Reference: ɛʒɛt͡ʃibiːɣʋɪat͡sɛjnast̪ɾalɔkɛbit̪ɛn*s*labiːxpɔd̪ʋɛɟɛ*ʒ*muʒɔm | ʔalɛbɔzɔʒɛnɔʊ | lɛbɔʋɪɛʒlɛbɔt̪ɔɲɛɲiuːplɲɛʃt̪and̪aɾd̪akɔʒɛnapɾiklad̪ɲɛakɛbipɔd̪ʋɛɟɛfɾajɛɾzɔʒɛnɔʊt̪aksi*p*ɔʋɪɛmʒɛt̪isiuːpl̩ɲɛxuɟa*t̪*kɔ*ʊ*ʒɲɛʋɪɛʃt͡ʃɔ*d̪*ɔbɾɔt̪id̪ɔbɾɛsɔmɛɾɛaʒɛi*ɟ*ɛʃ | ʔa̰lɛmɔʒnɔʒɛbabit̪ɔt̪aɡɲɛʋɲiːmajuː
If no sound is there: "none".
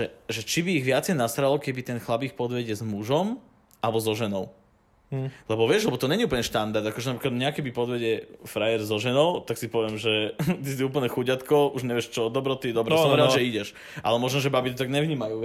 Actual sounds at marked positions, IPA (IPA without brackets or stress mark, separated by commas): x, z, p, t̪, u, d̪, ɟ